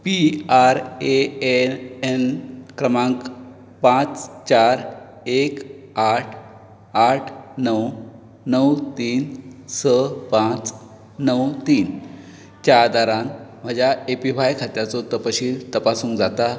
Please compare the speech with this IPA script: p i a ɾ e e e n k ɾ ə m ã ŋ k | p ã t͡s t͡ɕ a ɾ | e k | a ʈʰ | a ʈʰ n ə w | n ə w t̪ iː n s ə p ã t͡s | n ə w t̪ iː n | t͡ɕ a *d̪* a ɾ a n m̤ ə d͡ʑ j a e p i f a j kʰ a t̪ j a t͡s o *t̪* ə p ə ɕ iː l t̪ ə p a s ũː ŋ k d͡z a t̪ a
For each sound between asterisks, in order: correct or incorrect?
correct, correct

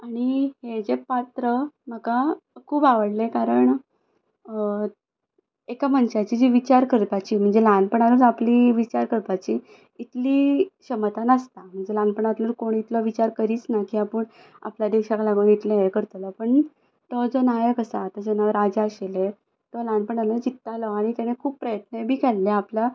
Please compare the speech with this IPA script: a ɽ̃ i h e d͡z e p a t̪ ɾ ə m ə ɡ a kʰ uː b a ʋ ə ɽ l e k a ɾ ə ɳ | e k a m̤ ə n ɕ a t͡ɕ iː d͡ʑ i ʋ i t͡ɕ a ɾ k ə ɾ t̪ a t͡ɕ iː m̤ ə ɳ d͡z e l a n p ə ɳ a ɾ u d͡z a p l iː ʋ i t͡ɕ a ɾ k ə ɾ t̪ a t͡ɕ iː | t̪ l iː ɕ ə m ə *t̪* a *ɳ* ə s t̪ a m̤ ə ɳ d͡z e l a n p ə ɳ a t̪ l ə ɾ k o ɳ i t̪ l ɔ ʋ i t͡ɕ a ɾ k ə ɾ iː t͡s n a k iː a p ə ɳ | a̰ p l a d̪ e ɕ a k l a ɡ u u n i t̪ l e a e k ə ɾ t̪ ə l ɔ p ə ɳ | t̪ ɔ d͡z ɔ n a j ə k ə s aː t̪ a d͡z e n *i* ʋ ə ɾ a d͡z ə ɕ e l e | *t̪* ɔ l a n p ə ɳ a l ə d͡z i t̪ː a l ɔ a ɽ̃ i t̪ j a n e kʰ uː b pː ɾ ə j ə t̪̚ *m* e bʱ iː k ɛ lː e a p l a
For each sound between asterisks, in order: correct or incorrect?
correct, incorrect: n, incorrect: a, correct, incorrect: n

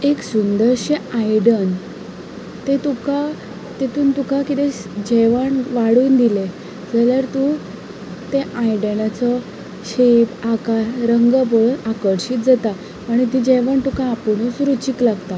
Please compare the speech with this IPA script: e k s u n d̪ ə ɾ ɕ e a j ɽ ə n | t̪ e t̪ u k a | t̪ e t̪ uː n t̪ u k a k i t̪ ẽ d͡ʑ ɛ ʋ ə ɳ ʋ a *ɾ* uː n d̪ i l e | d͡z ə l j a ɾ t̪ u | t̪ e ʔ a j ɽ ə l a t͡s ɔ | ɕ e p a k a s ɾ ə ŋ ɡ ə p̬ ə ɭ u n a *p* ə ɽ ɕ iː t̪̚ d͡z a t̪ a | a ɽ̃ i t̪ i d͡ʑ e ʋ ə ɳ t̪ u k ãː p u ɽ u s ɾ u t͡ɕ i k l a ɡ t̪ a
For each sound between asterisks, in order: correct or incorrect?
incorrect: ɽ, incorrect: k

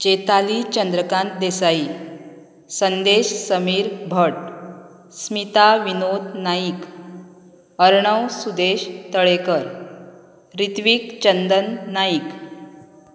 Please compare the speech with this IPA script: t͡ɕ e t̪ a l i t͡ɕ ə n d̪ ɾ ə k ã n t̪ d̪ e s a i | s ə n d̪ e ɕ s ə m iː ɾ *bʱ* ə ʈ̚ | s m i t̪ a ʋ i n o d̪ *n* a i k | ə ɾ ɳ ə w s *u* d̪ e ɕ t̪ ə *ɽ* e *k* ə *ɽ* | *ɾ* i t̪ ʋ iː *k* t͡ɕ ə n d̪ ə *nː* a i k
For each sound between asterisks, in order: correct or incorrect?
correct, correct, correct, incorrect: ɭ, correct, incorrect: ɾ, correct, correct, correct

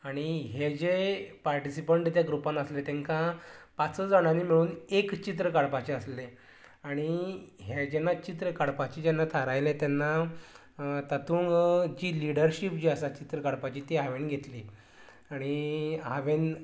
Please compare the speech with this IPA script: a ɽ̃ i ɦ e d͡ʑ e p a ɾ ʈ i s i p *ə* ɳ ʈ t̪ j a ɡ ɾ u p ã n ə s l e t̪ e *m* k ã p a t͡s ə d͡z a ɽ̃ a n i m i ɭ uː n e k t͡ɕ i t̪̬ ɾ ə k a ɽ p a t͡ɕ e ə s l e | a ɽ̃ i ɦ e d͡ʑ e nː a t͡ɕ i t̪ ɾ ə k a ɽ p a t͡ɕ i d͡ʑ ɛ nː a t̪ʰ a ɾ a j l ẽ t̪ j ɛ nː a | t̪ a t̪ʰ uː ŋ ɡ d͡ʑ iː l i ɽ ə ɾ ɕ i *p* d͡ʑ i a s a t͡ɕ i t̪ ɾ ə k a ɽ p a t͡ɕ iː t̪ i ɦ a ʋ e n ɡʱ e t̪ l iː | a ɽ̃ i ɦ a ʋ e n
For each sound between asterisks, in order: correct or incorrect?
correct, incorrect: ŋ, correct

